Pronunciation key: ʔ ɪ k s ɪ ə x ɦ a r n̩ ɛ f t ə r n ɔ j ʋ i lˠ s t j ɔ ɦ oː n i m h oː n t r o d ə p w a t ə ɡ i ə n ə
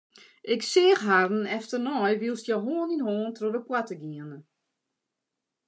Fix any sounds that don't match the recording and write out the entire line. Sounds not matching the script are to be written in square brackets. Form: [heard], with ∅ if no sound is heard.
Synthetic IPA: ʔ ɪ k s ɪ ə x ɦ a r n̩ ɛ f t ə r n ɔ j ʋ i lˠ s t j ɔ ɦ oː n i [n] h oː n t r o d ə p w a t ə ɡ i ə n ə

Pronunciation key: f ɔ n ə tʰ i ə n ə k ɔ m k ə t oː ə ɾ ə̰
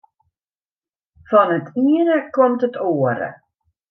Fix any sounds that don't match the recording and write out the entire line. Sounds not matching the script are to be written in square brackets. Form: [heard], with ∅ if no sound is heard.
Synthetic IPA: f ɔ n ə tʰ i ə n ə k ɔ m [t] ə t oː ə ɾ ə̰

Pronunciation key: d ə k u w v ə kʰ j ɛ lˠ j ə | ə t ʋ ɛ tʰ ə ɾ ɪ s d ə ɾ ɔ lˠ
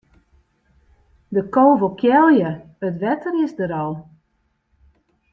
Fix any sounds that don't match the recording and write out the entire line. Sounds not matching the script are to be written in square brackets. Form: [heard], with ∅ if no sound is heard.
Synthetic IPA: d ə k [o] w v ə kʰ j ɛ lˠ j ə | ə t ʋ ɛ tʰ ə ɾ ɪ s d ə ɾ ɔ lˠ

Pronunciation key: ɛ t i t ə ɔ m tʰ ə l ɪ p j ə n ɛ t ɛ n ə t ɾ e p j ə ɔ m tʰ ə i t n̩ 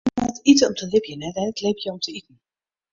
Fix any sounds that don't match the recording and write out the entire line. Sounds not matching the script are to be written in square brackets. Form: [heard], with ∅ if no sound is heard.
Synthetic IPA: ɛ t i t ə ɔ m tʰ ə l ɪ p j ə n ɛ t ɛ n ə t [l] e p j ə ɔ m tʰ ə i t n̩

